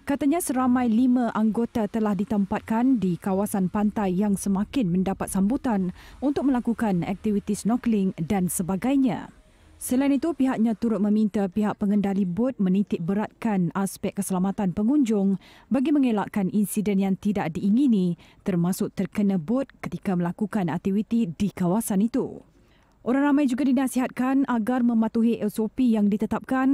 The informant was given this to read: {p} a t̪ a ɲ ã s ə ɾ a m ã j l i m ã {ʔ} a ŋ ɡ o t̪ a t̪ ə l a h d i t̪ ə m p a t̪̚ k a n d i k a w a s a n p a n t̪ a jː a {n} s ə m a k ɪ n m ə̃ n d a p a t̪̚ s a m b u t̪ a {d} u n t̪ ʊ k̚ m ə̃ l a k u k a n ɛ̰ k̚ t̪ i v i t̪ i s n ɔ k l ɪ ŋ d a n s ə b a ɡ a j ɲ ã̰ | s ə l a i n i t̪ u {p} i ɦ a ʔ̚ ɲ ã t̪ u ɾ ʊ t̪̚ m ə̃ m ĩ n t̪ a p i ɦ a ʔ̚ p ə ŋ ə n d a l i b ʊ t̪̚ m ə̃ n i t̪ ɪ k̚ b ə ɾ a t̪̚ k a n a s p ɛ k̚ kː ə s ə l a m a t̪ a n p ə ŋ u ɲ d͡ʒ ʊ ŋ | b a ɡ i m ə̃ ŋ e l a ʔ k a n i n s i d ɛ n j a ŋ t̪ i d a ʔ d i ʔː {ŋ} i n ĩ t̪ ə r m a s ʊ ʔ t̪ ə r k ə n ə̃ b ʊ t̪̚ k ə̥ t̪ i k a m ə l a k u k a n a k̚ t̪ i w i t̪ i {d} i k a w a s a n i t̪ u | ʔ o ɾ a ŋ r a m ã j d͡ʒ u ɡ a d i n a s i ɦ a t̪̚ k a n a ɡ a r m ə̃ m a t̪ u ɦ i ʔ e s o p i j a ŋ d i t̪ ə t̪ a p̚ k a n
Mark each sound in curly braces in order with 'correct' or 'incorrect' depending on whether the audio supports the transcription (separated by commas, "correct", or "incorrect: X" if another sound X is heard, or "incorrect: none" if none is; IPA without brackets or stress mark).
incorrect: k, correct, incorrect: ŋ, incorrect: n, correct, correct, correct